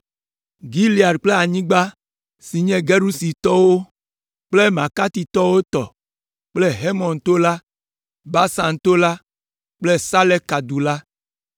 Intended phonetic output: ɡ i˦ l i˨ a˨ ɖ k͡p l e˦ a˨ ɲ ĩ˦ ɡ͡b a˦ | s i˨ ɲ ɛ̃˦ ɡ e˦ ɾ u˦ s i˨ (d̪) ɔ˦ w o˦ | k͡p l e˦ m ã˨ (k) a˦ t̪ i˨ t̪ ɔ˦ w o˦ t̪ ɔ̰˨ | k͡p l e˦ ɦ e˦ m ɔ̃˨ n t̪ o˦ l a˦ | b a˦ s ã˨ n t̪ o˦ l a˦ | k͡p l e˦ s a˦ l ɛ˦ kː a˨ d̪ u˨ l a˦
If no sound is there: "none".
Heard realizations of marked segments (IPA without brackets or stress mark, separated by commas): t̪, k